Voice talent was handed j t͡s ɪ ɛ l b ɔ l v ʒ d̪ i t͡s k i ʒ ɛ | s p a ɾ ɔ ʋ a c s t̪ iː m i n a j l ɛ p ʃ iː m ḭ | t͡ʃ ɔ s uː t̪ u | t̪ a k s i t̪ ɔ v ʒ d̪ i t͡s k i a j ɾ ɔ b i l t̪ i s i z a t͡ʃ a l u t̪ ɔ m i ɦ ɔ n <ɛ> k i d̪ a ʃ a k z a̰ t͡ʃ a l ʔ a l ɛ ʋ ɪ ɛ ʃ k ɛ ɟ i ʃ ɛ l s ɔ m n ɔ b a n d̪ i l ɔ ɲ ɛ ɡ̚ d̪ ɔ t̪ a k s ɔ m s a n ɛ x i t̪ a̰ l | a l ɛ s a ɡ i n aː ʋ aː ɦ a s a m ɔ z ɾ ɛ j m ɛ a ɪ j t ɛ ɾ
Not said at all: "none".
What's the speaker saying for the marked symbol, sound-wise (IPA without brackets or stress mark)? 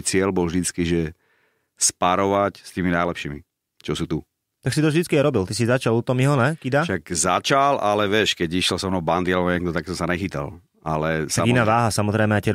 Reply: ɛ